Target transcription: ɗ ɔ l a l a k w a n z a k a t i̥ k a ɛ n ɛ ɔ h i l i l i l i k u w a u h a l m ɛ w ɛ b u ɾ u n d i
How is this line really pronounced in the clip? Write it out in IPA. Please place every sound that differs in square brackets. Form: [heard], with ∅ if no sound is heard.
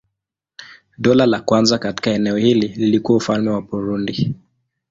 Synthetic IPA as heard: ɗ ɔ l a l a k w a n z a k a t i̥ k a ɛ n ɛ ɔ h i l i l i l i k u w a u [f] a l m ɛ w [a] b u ɾ u n d i